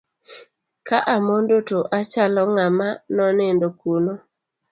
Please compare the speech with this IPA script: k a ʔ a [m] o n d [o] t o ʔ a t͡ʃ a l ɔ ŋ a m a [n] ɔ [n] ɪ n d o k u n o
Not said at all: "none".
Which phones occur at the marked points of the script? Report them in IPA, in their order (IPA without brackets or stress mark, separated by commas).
m, o, n, n